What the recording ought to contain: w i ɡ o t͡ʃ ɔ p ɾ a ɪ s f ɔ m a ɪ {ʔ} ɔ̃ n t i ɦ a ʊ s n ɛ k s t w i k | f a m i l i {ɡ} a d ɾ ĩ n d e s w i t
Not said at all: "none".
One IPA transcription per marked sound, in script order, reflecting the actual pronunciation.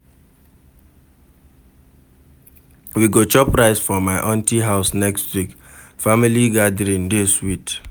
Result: ʔ, ɡ

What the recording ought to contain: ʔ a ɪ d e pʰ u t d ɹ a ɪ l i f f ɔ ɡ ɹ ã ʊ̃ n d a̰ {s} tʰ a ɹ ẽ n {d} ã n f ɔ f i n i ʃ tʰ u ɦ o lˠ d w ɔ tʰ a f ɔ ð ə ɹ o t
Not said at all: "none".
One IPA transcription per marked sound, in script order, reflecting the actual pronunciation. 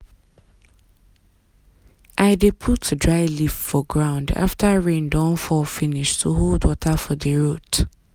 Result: f, d

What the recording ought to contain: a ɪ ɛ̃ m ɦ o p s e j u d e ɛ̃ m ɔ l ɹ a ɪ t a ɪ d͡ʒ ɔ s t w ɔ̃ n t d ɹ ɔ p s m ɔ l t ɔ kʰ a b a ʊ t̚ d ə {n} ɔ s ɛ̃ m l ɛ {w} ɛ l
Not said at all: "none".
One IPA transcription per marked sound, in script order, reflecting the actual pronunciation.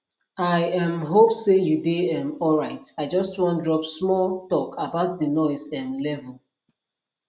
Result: n, v

